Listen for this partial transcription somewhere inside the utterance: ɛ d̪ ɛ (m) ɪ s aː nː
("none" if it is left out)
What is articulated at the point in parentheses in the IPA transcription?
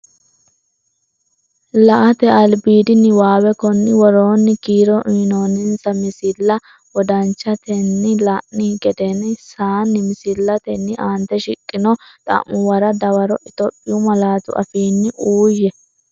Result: n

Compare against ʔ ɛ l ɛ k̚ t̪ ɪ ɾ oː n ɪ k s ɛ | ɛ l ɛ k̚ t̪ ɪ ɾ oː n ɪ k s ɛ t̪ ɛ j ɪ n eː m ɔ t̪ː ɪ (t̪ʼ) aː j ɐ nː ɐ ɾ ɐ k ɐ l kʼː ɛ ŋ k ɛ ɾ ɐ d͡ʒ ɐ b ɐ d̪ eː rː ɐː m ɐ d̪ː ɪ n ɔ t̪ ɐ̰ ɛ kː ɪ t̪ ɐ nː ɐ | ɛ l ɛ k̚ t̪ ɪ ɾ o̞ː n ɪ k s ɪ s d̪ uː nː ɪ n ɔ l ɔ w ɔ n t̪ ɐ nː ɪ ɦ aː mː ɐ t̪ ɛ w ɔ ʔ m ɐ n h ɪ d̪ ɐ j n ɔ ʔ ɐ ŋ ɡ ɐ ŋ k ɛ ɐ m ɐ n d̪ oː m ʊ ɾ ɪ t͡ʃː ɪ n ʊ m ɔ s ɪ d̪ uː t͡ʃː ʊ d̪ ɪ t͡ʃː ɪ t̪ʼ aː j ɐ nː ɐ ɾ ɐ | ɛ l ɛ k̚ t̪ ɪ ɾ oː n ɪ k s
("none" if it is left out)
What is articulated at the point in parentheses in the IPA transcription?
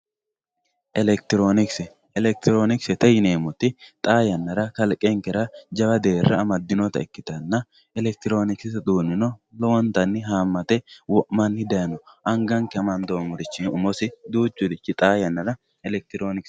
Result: t̪ʼ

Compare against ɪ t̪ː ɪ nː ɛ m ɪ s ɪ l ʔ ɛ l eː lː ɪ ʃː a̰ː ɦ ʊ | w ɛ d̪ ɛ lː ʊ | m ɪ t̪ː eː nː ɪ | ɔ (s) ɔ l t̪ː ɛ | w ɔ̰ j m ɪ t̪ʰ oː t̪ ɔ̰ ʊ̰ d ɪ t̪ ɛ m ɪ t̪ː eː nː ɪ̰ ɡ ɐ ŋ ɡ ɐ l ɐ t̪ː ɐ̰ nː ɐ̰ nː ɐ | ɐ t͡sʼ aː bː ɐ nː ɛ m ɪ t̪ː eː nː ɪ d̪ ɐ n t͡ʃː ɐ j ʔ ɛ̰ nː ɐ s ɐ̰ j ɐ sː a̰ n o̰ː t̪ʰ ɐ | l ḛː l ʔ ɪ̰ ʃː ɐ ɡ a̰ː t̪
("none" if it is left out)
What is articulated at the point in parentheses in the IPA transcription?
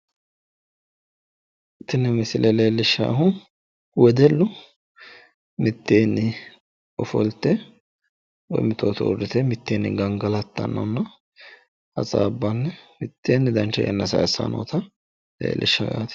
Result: f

